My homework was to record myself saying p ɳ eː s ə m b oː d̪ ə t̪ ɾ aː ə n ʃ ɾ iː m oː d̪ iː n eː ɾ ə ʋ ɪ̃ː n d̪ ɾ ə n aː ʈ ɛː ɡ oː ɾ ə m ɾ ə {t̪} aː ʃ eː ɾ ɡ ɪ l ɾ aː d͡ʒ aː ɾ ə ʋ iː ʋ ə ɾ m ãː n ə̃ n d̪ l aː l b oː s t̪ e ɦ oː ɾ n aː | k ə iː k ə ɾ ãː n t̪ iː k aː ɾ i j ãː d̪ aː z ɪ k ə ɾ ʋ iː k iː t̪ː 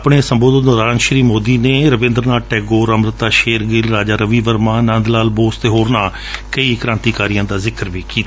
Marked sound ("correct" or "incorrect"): correct